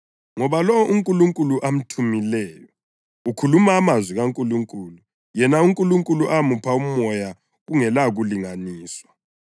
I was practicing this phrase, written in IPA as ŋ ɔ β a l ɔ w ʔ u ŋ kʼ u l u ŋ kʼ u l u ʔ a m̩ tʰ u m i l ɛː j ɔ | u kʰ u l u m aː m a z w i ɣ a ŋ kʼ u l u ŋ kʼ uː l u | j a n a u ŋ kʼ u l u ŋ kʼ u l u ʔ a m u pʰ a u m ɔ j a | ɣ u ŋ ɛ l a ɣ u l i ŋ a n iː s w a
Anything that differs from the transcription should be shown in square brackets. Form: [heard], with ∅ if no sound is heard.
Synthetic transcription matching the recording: ŋ ɔ β a l ɔ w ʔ u ŋ kʼ u l u ŋ kʼ u l u ʔ a m̩ tʰ u m i l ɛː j ɔ | u kʰ u l u m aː m a z w i ɣ a ŋ kʼ u l u ŋ kʼ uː l u | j [ɛ] n a u ŋ kʼ u l u ŋ kʼ u l u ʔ a m u pʰ a u m ɔ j a | ɣ u ŋ ɛ l a ɣ u l i ŋ a n iː s w a